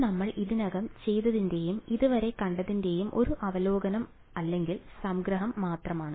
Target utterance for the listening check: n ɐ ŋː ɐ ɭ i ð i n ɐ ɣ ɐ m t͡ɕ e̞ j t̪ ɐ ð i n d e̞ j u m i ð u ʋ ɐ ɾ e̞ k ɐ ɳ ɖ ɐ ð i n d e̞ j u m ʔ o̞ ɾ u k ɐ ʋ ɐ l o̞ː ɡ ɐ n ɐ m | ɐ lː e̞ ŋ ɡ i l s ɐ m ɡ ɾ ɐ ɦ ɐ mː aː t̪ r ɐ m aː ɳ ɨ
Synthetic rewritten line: n ɐ mː ɐ ɭ i ð i n ɐ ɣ ɐ m t͡ɕ e̞ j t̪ ɐ ð i n d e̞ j u m i ð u ʋ ɐ ɾ e̞ k ɐ ɳ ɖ ɐ ð i n d e̞ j u m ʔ o̞ ɾ u ʔ ɐ ʋ ɐ l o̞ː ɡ ɐ n ɐ m | ɐ lː e̞ ŋ ɡ i l s ɐ m ɡ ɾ ɐ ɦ ɐ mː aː t̪ r ɐ m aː ɳ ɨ